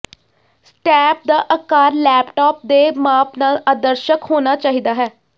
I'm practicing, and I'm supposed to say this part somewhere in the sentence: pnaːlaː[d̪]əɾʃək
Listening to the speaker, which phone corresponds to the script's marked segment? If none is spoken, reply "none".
d̪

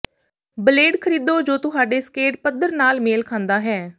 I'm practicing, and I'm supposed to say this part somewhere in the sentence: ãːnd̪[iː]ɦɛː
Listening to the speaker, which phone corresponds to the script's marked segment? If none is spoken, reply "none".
aː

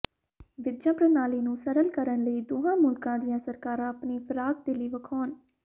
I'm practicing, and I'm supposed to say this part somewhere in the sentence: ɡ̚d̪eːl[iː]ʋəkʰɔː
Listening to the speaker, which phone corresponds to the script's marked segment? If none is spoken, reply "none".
iː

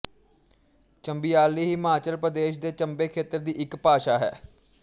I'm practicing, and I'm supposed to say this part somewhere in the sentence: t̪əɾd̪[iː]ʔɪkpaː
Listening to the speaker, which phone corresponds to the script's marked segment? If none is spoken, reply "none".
iː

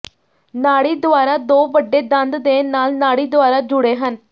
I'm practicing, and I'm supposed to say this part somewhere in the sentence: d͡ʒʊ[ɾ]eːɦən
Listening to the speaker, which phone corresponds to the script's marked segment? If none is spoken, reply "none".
ɽ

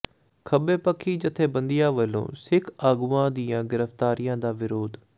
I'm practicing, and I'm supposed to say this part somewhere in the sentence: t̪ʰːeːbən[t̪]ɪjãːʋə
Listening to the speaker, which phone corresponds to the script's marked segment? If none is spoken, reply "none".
d̪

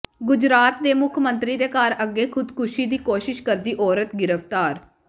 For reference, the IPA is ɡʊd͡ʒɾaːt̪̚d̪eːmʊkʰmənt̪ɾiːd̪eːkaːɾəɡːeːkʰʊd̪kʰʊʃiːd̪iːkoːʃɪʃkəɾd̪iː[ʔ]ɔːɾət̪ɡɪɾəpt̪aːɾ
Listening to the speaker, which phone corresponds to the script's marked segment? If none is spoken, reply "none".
ʔ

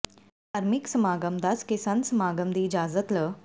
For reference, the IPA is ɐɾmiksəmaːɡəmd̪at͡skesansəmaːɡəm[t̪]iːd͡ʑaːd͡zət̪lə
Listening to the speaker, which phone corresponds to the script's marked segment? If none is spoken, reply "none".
d̪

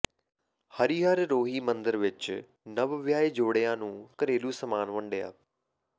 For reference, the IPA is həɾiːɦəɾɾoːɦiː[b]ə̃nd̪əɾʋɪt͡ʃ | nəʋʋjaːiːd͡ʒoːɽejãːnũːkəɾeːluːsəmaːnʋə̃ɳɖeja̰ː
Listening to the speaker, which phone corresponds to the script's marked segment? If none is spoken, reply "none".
m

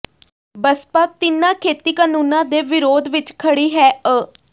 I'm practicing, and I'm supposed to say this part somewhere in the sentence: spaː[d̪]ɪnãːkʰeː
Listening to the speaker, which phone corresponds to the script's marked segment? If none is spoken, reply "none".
t̪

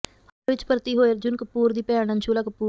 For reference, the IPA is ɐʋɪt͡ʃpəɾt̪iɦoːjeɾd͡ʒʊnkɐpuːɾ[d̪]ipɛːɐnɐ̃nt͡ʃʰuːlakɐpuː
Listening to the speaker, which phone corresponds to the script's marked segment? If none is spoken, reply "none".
d̪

